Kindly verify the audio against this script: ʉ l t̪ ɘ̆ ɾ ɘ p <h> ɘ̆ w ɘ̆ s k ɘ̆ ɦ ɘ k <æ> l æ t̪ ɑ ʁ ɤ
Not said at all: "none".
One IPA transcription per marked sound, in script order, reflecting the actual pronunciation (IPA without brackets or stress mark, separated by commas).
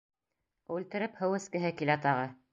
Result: h, i